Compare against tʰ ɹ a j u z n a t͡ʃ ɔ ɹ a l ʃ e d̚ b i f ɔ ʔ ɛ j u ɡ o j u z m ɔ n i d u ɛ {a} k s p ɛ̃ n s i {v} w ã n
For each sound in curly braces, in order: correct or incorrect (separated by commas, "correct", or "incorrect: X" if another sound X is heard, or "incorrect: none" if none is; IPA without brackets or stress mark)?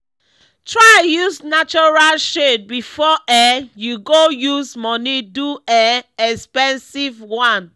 incorrect: ɛ, correct